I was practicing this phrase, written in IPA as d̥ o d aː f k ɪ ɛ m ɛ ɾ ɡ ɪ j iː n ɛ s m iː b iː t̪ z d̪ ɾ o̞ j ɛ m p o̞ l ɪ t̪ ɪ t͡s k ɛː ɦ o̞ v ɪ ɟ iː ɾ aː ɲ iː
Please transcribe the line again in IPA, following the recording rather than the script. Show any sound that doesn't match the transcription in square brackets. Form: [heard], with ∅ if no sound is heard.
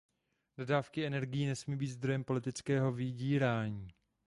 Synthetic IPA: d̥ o d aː f k ɪ ɛ [n] ɛ ɾ ɡ ɪ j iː n ɛ s m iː b iː t̪ z d̪ ɾ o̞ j ɛ m p o̞ l ɪ t̪ ɪ t͡s k ɛː ɦ o̞ v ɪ ɟ iː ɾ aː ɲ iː